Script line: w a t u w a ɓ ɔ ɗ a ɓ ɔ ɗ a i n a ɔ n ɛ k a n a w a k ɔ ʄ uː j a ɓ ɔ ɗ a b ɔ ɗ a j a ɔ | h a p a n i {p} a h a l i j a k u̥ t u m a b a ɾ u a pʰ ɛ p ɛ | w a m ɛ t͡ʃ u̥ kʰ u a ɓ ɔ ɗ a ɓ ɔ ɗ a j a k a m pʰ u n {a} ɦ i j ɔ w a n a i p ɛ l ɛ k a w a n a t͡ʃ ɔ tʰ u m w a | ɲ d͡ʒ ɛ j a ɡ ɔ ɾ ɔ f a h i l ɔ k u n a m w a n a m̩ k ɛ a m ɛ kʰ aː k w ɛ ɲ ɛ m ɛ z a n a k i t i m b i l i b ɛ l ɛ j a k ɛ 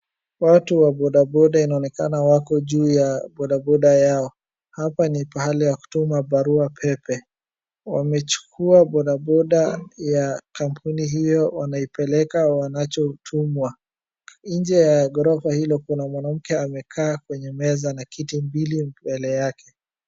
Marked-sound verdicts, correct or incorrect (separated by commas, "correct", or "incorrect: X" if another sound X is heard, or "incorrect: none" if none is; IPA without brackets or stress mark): correct, incorrect: i